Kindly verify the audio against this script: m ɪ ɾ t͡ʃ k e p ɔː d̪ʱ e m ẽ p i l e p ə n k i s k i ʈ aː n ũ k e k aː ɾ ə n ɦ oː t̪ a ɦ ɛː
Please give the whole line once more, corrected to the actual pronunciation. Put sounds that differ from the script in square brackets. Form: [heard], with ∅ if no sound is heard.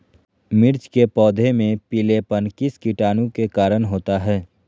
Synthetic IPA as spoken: m ɪ ɾ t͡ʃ k e p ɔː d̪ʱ e m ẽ p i l e p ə n k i s k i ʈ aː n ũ k e k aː ɾ ə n ɦ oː t̪ a ɦ ɛː